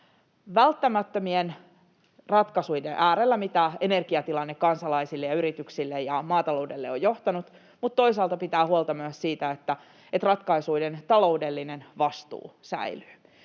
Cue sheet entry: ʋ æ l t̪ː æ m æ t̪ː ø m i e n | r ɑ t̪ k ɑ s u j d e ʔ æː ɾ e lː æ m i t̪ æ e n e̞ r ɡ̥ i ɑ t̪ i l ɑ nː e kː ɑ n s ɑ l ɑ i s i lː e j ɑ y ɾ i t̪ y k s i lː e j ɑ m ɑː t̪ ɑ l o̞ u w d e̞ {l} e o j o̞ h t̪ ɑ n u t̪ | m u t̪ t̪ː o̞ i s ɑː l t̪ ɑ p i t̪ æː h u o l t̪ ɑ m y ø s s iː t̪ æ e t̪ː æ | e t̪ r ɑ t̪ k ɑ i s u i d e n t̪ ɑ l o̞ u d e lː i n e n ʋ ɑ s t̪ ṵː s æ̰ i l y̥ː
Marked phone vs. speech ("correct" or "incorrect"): incorrect